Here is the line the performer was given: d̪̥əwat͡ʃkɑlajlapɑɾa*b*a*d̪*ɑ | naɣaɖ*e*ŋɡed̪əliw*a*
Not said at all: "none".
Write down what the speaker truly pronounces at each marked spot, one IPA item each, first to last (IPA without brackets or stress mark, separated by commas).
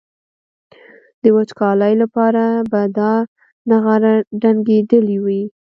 b, d̪, a, i